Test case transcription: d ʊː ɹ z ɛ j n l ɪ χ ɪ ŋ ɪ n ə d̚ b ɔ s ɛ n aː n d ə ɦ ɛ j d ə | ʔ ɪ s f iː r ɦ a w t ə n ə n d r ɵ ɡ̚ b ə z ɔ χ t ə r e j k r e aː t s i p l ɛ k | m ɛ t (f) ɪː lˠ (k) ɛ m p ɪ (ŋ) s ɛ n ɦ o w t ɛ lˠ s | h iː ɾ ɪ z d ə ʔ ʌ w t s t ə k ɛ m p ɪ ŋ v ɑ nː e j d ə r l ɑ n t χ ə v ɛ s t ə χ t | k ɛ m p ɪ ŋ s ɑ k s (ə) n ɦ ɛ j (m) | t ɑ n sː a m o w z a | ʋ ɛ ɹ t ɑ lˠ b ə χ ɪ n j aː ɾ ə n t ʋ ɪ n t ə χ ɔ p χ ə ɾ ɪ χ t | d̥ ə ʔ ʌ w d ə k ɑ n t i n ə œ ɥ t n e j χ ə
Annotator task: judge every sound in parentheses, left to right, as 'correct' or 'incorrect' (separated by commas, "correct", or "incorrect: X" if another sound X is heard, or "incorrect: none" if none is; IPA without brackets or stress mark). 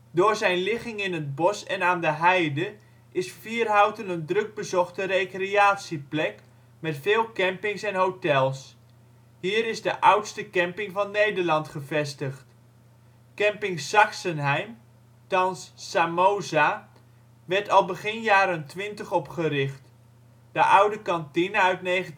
correct, correct, correct, correct, correct